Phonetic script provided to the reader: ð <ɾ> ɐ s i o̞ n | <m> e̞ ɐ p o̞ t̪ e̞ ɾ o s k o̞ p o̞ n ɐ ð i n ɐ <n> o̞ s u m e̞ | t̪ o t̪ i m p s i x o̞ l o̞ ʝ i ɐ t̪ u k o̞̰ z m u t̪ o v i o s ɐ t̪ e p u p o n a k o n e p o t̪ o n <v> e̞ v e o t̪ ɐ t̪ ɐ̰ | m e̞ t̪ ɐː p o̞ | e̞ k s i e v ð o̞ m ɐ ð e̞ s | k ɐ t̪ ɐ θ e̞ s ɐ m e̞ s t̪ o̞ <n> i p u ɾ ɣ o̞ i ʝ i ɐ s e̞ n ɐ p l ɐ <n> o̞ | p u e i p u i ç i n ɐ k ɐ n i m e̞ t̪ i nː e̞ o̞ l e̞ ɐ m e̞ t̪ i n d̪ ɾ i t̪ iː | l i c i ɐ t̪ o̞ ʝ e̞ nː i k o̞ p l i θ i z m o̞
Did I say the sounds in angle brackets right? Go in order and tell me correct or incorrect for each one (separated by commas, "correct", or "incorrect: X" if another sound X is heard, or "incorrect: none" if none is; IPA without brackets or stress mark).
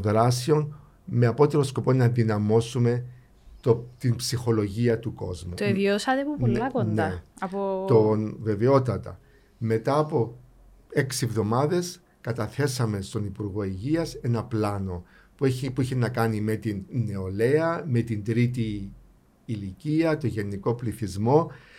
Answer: correct, correct, incorrect: m, correct, correct, correct